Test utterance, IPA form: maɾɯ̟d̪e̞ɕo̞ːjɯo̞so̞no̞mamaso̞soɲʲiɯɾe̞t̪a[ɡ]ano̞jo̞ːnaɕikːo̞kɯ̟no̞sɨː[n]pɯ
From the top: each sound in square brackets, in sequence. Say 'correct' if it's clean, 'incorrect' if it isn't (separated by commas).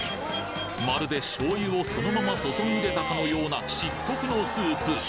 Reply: incorrect, incorrect